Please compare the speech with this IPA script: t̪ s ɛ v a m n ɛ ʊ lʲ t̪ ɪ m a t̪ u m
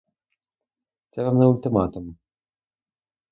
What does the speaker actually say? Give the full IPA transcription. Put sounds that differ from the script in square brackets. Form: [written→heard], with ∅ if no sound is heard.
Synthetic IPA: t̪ s ɛ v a m n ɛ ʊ lʲ t̪ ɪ m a t̪ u m